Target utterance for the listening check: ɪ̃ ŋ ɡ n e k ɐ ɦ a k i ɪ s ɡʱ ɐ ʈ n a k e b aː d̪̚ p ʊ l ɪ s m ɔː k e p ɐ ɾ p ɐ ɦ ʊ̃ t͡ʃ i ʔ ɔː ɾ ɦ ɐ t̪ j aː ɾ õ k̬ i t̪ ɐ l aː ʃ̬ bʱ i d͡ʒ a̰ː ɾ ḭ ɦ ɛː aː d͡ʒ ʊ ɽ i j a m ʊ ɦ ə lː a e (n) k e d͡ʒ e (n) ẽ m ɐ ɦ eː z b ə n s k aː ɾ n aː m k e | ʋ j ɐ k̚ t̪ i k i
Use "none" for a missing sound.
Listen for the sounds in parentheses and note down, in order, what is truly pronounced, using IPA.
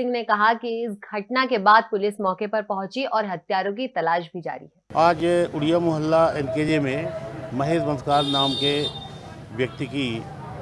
n, m

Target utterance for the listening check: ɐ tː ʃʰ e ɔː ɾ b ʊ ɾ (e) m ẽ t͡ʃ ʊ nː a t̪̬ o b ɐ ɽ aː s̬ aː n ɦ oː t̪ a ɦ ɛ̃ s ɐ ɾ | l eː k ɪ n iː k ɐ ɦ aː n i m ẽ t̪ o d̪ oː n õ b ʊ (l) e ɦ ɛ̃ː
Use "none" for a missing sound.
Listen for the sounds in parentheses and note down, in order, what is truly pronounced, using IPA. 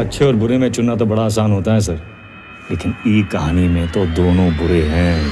e, ɾ

